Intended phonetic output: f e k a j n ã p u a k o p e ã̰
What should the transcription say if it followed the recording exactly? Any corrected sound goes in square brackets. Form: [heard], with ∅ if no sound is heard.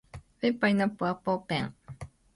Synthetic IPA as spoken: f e [p] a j n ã p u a [p] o p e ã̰